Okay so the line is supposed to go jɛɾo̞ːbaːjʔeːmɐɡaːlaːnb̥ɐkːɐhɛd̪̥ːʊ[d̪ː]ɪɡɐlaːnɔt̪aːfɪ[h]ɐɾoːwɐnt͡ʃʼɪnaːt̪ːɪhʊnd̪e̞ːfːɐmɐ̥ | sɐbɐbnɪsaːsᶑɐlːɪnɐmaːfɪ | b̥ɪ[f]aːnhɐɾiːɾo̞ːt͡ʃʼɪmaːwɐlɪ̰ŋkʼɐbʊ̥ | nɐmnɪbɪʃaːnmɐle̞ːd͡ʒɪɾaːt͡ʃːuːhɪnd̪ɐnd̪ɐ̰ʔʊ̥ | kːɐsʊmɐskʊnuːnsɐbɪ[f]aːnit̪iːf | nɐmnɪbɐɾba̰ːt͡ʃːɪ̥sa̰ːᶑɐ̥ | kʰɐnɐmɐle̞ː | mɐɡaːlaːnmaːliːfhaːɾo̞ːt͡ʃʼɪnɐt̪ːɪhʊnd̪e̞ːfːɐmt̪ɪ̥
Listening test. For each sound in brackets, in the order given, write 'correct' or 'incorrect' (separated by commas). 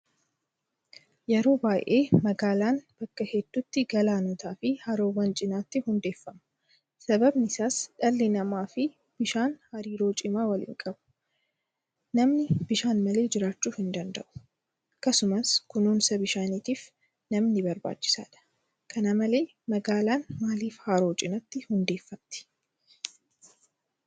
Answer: incorrect, correct, incorrect, incorrect